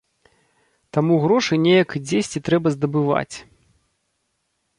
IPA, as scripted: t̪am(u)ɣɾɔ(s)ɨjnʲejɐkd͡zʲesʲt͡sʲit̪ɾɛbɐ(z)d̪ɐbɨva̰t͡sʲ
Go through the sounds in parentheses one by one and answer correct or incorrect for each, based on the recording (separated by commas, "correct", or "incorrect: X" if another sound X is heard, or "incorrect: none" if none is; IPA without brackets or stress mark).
correct, incorrect: ʂ, correct